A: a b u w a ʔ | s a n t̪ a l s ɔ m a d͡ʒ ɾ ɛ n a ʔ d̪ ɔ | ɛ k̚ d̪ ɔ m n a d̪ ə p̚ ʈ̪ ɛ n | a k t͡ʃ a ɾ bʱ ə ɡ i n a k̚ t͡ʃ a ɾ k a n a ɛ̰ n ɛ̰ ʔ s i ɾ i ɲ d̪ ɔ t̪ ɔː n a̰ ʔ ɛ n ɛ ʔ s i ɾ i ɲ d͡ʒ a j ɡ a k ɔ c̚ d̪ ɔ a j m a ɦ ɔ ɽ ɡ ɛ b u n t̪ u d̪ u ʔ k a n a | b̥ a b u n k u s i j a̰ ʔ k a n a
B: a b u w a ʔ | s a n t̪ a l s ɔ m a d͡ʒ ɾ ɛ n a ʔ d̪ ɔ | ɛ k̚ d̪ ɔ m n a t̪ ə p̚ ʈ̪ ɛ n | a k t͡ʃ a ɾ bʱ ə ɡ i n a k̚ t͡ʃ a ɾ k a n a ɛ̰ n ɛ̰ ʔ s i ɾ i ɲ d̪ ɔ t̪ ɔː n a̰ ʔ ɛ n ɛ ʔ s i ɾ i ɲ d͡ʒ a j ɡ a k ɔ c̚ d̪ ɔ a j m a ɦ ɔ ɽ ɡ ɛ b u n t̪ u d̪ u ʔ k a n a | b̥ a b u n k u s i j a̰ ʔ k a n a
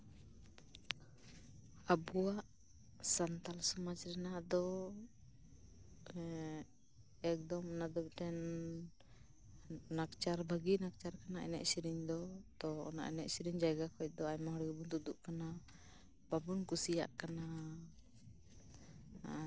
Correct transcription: A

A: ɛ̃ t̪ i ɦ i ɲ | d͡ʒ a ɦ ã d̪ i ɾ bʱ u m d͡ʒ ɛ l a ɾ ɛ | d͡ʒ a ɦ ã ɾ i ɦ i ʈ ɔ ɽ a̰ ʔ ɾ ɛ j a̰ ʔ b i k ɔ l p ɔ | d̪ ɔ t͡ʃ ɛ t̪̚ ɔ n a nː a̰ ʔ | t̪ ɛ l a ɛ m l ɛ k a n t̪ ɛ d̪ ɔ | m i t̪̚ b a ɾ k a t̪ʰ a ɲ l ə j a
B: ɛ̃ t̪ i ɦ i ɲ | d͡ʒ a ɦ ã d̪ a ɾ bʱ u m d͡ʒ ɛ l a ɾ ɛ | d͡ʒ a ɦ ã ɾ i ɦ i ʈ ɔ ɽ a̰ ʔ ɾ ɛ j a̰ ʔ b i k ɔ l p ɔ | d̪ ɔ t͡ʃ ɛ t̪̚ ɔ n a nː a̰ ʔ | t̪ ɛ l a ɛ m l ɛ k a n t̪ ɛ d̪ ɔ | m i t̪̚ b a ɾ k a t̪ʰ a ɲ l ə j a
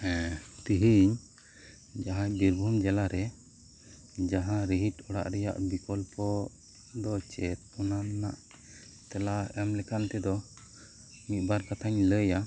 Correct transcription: A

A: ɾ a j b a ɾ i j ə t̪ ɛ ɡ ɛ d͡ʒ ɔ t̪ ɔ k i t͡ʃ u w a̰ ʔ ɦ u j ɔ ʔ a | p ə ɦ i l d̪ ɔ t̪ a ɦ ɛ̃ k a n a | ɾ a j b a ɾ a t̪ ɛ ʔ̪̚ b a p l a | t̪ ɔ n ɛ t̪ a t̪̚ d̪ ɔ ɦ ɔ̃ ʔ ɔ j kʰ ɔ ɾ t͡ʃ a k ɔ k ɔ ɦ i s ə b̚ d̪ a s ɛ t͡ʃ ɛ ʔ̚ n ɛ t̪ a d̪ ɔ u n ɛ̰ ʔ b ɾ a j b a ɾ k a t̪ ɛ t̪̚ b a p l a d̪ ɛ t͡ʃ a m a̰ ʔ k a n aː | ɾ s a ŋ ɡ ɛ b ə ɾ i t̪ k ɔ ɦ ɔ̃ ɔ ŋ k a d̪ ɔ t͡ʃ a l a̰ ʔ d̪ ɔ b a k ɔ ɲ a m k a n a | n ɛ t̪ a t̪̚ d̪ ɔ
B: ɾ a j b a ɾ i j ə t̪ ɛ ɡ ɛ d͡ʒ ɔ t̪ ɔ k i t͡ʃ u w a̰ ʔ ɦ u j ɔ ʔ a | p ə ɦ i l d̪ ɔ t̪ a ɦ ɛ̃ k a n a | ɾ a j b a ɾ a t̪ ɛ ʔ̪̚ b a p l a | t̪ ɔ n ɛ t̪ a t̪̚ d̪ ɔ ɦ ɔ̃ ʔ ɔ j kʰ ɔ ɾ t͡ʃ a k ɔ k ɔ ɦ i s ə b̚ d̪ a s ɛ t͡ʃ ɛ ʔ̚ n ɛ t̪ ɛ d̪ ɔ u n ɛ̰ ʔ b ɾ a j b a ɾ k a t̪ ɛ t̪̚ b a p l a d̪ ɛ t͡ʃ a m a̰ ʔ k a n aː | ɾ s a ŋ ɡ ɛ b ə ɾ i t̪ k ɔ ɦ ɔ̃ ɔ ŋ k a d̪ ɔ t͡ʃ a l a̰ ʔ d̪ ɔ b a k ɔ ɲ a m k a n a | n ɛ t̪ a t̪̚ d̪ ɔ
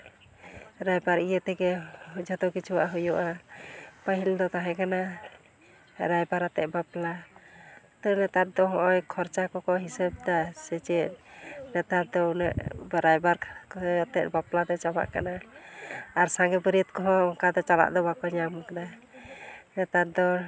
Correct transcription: A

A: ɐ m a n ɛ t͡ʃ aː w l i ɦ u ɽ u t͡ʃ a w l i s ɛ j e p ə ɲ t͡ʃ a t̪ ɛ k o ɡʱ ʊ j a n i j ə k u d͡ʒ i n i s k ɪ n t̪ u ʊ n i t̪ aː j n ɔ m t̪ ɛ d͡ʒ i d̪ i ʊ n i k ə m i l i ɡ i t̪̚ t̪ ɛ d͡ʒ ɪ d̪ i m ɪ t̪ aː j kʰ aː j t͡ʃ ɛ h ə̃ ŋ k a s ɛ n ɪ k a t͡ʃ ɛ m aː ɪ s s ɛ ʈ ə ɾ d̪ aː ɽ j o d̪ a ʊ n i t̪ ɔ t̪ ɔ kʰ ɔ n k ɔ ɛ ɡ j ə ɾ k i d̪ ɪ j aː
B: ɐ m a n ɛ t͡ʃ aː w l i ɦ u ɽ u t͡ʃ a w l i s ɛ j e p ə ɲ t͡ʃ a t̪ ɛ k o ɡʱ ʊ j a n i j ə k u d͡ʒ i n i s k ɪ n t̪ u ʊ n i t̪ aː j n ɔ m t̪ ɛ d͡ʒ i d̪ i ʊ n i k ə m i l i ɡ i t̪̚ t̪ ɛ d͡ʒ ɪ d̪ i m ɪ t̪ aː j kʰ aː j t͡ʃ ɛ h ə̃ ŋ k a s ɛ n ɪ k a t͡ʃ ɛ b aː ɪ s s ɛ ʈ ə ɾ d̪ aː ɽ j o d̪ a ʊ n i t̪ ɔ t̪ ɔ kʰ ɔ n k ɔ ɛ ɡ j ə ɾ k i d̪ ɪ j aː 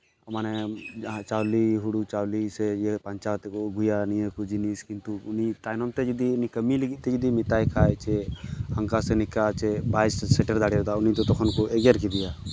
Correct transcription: B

